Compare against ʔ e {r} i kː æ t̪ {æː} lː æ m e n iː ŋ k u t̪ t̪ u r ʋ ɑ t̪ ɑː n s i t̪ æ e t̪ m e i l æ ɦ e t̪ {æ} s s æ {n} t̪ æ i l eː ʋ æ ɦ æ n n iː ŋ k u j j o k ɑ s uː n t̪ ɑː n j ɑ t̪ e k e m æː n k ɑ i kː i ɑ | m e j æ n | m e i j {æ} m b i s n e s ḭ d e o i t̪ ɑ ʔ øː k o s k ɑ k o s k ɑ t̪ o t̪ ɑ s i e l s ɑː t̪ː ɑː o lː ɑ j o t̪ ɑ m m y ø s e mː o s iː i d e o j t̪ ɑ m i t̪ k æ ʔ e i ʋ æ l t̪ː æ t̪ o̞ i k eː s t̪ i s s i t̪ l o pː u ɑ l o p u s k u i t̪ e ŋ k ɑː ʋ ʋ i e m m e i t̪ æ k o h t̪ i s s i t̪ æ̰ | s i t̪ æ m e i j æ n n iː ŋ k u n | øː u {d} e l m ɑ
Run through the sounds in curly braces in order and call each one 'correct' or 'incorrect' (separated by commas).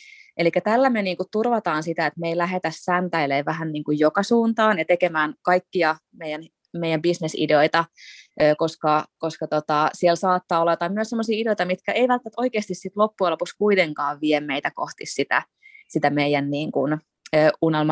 incorrect, incorrect, correct, correct, correct, incorrect